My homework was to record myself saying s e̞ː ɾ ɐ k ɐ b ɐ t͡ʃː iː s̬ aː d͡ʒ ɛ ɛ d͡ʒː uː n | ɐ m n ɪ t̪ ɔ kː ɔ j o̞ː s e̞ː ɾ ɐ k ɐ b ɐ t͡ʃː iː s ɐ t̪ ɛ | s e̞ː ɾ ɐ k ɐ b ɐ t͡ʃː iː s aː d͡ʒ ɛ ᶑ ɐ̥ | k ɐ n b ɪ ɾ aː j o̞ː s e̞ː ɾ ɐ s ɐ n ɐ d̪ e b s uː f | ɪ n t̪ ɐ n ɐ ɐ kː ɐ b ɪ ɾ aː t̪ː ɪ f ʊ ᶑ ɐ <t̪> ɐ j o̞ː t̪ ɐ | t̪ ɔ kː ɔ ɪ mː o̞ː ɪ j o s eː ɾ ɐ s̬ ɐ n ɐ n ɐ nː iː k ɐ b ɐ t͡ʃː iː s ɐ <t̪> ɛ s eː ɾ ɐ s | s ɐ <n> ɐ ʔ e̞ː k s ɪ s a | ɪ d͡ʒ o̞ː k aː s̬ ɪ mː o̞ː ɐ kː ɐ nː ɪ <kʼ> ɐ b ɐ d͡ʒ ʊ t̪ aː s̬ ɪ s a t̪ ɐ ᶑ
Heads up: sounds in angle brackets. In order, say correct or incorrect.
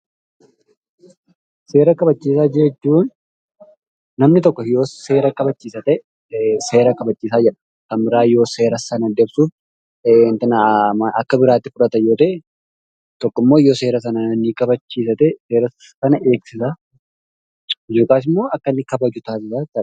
correct, correct, correct, incorrect: k

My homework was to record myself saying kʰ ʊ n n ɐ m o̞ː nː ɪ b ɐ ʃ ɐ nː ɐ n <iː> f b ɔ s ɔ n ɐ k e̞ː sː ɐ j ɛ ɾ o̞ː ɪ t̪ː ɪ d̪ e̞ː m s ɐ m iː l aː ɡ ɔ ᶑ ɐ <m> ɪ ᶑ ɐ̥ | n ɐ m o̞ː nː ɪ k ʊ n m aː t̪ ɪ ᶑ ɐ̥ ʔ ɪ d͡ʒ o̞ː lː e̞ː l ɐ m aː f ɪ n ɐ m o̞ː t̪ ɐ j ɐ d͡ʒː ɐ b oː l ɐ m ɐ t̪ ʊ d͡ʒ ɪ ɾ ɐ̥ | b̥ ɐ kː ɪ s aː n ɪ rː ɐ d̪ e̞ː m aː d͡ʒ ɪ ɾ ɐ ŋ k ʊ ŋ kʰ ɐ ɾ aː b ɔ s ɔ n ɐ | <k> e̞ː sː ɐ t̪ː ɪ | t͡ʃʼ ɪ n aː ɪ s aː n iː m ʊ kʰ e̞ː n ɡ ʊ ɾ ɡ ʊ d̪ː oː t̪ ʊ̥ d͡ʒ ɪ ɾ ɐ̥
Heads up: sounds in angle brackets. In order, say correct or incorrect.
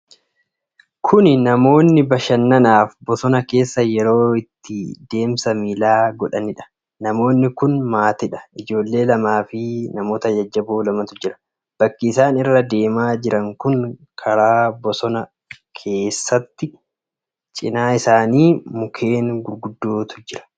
incorrect: aː, incorrect: n, incorrect: kʰ

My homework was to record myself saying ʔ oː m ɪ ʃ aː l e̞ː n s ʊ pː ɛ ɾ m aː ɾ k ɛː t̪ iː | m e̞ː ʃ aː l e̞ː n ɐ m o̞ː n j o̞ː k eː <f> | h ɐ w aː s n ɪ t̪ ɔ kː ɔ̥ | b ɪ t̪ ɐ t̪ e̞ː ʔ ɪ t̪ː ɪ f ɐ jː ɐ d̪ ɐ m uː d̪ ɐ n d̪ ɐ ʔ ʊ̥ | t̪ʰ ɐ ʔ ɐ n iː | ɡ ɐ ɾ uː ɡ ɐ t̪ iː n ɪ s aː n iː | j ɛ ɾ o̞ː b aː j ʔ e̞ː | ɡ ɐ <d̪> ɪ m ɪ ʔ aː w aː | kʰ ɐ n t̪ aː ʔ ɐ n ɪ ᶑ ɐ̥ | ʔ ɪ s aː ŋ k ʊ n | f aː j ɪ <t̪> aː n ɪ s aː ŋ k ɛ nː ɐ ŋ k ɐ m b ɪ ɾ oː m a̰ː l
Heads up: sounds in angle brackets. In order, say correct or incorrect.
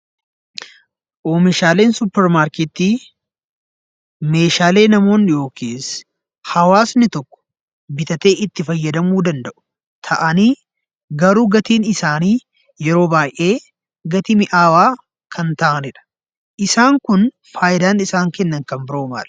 incorrect: s, incorrect: t̪, incorrect: d̪

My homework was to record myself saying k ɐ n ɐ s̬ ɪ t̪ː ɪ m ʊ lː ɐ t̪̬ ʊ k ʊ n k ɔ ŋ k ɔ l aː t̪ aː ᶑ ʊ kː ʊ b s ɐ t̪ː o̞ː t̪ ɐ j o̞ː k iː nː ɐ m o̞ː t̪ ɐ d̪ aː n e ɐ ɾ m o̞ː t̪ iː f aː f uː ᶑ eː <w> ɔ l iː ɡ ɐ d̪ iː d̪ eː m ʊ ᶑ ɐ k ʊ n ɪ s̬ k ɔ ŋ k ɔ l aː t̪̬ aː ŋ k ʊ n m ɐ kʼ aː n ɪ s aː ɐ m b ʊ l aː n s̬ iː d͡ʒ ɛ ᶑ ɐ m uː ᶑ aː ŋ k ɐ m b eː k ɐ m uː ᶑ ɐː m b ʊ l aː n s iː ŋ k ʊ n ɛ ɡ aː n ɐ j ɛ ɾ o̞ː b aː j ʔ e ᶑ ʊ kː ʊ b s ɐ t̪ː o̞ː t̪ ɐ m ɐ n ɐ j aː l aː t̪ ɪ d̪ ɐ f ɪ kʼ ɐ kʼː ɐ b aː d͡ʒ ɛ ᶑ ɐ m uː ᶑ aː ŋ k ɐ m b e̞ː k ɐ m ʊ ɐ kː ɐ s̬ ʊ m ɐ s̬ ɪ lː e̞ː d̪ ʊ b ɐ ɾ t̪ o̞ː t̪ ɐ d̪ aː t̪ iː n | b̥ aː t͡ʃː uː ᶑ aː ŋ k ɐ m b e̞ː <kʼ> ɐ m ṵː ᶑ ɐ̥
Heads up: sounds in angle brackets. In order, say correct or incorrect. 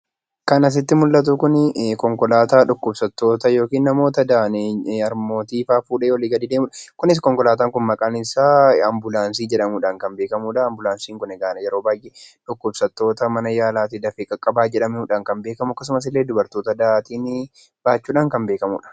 correct, incorrect: k

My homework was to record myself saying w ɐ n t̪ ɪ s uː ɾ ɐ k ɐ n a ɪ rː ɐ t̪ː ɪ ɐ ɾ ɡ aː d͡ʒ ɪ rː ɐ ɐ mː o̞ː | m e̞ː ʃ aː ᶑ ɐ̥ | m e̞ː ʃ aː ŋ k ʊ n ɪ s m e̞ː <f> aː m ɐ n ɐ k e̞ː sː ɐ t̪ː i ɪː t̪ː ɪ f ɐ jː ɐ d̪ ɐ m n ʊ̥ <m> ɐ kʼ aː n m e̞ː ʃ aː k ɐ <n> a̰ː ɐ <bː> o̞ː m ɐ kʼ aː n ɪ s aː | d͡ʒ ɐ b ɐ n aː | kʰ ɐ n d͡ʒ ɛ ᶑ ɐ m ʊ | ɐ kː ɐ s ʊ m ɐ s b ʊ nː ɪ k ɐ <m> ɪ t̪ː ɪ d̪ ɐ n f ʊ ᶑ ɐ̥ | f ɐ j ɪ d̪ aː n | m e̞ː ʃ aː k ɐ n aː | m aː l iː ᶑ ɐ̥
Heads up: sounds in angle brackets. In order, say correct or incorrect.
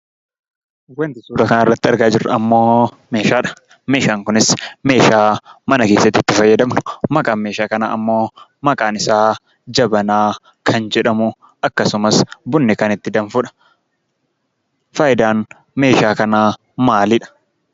incorrect: ʃ, correct, correct, incorrect: mː, incorrect: n

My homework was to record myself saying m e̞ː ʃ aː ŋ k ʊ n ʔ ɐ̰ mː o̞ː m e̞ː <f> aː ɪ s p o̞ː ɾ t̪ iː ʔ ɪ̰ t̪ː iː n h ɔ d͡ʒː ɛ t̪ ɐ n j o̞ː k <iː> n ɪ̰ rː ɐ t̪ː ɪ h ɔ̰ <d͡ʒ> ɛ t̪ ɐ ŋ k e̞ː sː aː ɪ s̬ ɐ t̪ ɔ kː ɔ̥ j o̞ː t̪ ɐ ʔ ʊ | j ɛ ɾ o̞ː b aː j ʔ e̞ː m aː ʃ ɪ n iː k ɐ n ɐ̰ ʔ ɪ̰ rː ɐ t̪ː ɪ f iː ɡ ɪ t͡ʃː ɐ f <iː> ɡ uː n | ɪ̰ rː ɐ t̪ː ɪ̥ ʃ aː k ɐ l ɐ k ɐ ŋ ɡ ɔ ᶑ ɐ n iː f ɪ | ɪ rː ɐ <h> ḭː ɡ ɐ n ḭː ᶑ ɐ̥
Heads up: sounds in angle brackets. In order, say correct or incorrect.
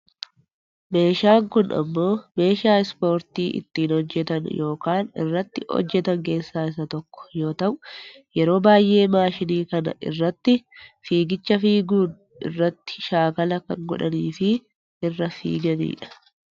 incorrect: ʃ, incorrect: aː, incorrect: d͡ʒː, correct, incorrect: f

